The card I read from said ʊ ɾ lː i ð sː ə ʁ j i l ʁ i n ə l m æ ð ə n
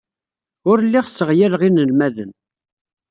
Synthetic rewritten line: ʊ ɾ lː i ʁ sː ə ʁ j æ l ʁ i n ə l m æ ð ə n